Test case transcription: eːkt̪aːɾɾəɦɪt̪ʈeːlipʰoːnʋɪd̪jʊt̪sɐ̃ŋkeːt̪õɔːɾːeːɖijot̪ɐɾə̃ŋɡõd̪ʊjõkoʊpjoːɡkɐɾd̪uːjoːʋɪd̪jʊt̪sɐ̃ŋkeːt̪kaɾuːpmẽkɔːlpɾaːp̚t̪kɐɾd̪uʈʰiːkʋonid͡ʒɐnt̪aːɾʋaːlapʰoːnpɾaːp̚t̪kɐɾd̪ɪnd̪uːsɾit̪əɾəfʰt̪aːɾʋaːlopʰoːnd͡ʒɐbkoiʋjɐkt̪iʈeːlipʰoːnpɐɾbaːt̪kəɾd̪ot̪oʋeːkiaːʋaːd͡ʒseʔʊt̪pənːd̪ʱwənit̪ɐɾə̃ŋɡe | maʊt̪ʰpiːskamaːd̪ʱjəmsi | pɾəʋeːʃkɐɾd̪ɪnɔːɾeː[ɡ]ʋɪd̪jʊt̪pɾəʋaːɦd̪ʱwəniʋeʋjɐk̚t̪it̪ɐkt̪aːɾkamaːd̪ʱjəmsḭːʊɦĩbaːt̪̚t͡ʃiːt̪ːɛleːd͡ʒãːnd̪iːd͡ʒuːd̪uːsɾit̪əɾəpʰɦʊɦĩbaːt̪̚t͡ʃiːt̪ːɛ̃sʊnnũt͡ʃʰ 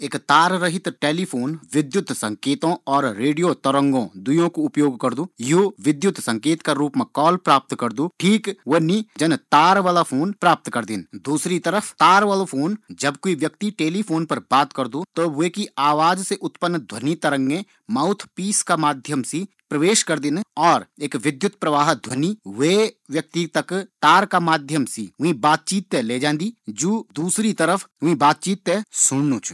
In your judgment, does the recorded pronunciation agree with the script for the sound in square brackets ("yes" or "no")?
no